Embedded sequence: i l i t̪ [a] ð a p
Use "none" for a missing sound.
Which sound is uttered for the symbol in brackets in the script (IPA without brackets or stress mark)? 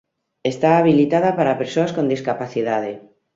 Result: a